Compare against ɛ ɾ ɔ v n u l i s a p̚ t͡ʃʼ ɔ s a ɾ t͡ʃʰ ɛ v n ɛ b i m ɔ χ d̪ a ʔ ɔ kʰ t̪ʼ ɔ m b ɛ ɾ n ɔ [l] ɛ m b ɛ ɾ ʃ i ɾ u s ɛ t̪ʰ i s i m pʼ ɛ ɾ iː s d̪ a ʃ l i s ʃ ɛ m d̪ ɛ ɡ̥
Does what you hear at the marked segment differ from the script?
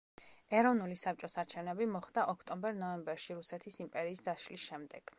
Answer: yes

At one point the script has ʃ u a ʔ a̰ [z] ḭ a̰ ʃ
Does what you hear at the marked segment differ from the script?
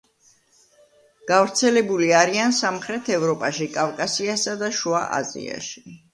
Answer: no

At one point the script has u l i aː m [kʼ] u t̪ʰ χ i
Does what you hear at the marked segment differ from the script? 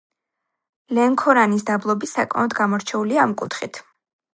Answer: no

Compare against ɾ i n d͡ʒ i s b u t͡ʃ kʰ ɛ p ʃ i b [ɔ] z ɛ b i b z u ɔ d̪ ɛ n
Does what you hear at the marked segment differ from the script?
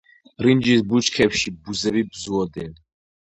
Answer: yes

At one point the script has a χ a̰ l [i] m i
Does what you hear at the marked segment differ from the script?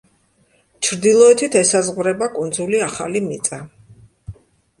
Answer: no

